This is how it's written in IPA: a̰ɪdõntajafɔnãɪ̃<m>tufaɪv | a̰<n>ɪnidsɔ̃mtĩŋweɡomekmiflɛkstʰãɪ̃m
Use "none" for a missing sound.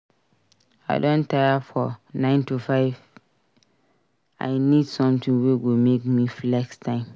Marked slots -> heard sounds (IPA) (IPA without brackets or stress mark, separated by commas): n, none